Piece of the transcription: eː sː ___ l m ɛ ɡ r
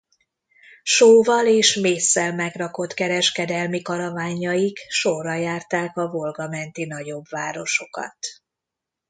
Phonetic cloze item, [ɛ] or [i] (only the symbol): ɛ